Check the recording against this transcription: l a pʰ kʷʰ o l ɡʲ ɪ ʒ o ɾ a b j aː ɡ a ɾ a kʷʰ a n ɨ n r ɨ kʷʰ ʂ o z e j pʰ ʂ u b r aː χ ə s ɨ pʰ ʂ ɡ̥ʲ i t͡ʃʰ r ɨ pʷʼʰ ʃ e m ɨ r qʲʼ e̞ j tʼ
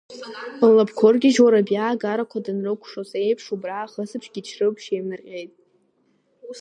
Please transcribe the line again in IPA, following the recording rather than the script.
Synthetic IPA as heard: l a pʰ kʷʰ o r ɡʲ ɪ ʒ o ɾ a b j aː ɡ a ɾ a kʷʰ a d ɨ n r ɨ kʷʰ ʂ o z e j pʰ ʂ u b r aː χ ə s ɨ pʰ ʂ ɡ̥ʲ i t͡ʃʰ r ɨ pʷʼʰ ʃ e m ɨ r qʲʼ e̞ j tʼ